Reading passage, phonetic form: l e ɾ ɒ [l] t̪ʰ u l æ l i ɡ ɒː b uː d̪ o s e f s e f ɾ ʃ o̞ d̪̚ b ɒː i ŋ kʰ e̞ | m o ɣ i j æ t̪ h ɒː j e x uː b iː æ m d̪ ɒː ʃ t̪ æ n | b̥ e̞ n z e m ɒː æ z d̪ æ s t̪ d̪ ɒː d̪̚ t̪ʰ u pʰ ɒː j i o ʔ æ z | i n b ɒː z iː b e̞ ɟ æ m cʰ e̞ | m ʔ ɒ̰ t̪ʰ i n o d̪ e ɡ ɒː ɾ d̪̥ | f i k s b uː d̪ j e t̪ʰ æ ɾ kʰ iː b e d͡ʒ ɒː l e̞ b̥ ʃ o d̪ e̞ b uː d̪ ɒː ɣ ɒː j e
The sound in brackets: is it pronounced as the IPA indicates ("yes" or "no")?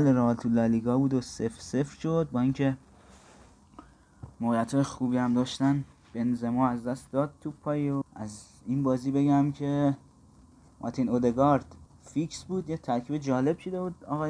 yes